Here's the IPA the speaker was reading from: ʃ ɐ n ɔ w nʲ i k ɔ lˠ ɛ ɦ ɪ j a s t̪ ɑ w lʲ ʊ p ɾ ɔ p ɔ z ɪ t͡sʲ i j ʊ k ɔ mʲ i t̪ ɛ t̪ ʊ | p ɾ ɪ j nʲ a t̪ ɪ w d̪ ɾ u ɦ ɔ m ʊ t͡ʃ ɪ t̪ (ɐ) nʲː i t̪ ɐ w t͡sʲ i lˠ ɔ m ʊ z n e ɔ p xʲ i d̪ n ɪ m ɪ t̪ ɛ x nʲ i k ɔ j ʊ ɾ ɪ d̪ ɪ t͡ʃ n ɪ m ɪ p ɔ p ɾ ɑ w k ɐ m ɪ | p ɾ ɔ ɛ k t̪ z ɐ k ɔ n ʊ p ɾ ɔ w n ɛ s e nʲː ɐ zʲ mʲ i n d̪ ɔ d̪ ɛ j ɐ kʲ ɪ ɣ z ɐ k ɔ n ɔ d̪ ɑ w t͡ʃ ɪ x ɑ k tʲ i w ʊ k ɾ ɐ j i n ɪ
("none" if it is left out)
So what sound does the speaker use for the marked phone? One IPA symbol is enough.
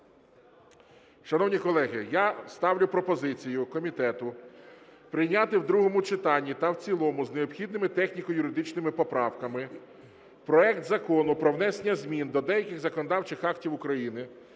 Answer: ɑ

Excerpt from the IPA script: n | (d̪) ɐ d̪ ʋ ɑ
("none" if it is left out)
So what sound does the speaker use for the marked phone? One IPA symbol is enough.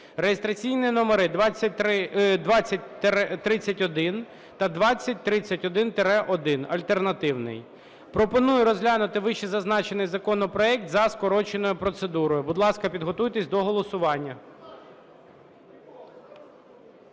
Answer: t̪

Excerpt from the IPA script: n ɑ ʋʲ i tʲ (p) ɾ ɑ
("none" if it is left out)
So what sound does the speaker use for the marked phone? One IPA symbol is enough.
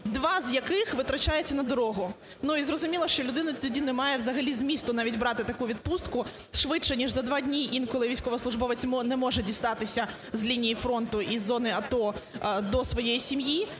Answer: b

